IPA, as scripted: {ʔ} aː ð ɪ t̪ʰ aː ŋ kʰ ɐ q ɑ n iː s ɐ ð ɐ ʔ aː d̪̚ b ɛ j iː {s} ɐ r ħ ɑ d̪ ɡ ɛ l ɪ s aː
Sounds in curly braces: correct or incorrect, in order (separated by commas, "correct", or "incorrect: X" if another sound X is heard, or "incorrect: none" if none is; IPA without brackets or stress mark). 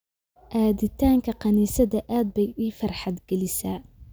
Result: correct, incorrect: f